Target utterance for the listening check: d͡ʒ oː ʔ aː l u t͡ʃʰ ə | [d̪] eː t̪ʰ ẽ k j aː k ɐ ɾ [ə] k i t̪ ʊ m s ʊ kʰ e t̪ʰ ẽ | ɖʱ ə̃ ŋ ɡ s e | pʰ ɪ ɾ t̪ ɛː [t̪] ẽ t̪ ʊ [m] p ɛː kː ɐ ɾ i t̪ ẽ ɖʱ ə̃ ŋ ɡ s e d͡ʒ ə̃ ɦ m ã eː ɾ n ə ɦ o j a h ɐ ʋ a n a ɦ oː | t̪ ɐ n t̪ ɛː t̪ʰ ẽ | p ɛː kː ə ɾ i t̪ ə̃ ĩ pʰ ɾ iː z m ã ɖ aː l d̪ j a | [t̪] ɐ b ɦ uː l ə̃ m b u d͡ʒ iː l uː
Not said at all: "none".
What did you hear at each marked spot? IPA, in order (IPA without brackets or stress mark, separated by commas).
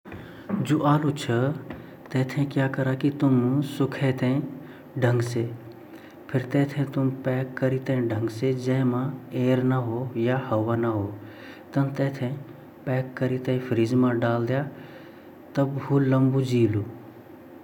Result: t̪, a, t̪ʰ, m, t̪